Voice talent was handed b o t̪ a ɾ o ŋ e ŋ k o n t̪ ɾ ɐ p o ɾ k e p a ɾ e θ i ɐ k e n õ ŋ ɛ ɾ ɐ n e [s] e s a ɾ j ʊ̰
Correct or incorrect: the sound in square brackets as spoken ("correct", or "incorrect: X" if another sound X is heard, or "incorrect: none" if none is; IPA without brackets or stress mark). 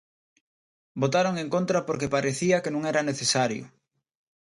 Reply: incorrect: θ